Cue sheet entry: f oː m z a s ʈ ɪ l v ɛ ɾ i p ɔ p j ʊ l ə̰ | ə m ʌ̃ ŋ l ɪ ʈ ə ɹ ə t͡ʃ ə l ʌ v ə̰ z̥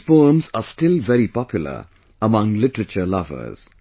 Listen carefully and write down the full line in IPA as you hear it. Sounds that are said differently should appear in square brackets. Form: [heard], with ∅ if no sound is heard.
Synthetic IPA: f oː m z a s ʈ ɪ l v ɛ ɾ i p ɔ p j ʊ l ə̰ | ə m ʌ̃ ŋ l ɪ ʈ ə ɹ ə t͡ʃ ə l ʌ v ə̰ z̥